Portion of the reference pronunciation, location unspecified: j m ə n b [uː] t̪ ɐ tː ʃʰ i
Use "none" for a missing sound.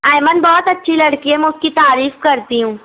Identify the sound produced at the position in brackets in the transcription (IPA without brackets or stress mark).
ɔː